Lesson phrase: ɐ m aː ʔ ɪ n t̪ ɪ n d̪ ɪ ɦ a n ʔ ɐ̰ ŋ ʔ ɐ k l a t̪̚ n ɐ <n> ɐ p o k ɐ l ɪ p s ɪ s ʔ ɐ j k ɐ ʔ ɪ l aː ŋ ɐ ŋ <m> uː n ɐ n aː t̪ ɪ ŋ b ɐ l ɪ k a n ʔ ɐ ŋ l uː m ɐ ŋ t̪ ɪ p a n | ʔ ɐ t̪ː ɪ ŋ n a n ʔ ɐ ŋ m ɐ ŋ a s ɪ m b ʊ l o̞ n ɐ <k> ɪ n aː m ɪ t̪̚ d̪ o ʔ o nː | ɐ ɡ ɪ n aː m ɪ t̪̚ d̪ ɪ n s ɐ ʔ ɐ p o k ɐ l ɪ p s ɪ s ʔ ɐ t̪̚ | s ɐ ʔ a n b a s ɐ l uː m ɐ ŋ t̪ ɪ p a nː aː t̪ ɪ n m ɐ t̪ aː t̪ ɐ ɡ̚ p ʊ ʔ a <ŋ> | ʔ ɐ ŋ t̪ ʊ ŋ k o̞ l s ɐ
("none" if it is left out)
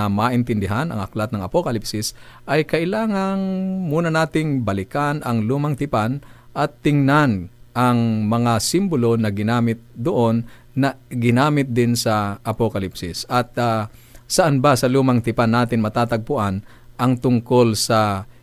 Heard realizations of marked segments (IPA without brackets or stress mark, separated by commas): ŋ, m, ɡ, n